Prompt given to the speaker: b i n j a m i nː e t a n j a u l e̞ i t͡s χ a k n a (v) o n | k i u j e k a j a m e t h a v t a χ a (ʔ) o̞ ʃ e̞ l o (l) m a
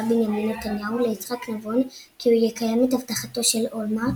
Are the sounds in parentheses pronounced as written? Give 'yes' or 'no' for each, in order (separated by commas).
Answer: yes, no, yes